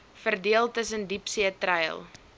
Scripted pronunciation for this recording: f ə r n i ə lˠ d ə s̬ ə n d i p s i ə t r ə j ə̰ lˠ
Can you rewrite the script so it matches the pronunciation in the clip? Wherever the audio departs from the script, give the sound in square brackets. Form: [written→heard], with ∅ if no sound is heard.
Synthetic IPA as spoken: f ə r [n→d] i ə lˠ [d→t] ə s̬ ə n d i p s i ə t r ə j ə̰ lˠ